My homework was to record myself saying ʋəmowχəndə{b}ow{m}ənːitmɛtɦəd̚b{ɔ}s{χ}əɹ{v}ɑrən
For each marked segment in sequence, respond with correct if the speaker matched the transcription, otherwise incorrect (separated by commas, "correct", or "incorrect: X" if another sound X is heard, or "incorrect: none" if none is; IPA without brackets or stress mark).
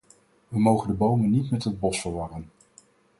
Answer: correct, correct, correct, incorrect: f, incorrect: ʋ